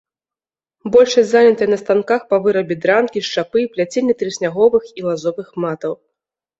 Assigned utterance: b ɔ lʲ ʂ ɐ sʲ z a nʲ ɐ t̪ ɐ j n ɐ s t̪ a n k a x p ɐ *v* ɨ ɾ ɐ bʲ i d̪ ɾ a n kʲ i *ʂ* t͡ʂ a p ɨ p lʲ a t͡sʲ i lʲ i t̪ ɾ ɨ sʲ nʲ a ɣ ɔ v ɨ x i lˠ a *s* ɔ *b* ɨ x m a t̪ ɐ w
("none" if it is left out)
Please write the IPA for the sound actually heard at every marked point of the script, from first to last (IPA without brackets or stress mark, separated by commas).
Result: v, ʂ, z, v